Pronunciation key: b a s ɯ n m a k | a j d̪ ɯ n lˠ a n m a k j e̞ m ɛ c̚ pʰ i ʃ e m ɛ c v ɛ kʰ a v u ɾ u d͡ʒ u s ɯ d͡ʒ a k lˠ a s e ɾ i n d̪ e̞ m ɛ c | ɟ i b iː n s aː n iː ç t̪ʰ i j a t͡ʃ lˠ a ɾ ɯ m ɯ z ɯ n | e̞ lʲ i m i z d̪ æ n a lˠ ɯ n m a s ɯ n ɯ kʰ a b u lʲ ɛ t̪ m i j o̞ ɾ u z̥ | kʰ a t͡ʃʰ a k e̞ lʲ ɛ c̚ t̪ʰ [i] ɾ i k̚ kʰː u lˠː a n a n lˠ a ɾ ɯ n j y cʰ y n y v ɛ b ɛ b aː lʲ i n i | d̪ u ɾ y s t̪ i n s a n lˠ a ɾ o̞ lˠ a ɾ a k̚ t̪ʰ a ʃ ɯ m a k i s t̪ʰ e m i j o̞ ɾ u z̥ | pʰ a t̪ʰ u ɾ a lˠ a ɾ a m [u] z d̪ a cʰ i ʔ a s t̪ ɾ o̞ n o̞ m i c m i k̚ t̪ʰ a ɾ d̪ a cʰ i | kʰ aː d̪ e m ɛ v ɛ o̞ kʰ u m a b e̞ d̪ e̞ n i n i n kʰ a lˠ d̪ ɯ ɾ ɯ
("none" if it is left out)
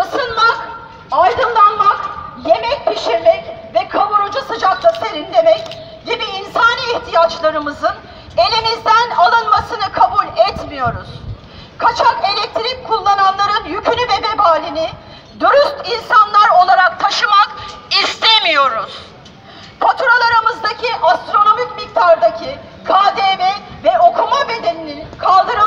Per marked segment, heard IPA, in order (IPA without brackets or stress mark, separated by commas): i, ɯ